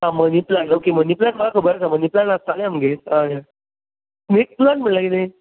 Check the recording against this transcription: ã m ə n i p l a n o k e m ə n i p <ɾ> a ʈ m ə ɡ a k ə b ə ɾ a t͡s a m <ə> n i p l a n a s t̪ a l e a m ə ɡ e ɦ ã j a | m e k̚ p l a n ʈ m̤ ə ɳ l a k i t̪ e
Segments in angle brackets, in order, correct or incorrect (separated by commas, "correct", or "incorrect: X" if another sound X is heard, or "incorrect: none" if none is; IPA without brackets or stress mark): incorrect: l, correct